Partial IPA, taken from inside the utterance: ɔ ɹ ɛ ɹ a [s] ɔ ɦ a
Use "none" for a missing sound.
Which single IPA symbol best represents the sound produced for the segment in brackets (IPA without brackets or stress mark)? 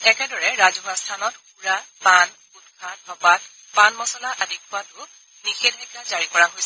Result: z